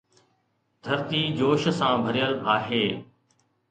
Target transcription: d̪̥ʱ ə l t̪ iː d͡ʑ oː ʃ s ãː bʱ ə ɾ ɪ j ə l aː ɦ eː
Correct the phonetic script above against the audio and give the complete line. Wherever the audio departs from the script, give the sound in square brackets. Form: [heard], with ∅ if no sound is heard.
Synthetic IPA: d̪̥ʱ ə [ɾ] t̪ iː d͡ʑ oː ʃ s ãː bʱ ə ɾ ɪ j ə l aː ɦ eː